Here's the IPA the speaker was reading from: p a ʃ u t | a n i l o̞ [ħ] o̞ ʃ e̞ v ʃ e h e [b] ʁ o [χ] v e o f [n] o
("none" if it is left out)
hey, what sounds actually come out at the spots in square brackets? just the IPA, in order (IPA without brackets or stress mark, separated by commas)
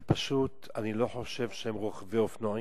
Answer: ħ, m, χ, n